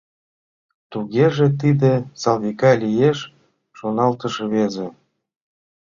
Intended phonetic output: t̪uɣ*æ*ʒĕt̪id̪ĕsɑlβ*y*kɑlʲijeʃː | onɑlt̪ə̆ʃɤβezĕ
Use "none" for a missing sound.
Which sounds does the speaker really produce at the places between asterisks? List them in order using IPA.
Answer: e, i

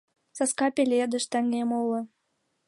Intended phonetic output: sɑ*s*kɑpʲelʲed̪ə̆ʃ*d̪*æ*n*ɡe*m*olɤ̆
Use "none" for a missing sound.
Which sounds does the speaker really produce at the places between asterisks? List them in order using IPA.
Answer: s, t̪, ŋ, m

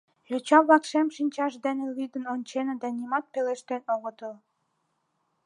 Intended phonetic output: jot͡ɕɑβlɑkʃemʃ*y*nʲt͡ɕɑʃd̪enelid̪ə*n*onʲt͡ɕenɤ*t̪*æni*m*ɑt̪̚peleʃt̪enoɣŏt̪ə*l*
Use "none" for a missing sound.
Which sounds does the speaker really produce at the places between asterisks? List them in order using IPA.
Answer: i, n, d̪, m, l

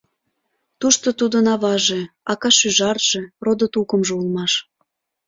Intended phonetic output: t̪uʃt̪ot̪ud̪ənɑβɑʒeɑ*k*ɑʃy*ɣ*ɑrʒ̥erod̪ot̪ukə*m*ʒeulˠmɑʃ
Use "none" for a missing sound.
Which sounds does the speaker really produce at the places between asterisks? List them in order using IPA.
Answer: k, ʒ, m

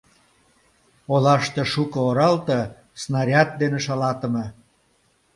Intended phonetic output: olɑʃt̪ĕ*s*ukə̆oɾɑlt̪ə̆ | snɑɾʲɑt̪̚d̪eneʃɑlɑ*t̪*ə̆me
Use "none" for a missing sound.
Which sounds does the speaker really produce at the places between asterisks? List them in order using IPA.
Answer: ʃ, t̪

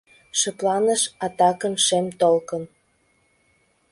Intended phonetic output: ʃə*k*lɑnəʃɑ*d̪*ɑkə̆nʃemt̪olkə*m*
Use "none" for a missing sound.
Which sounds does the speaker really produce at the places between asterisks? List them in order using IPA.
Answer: p, t̪, n

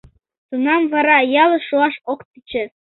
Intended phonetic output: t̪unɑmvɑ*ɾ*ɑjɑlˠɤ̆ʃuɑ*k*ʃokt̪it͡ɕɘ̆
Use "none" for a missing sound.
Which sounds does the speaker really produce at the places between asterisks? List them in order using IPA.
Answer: ɾ, none

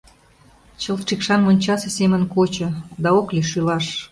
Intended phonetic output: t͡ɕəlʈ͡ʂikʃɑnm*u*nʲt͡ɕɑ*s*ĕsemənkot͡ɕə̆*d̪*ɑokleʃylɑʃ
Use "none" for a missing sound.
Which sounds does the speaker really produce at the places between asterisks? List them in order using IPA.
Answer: o, s, d̪

